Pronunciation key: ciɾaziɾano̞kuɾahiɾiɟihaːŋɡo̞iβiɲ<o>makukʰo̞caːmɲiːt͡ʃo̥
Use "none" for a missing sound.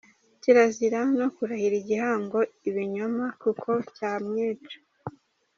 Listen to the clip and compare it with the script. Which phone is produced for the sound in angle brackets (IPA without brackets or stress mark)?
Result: o